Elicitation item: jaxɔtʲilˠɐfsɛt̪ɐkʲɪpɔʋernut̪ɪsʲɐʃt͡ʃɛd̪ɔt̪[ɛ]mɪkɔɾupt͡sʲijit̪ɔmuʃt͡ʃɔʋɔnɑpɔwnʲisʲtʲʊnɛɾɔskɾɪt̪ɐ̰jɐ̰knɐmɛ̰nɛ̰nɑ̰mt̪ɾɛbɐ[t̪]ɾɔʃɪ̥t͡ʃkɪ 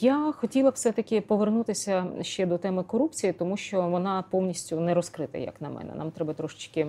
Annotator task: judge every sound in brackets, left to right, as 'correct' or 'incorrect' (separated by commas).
correct, correct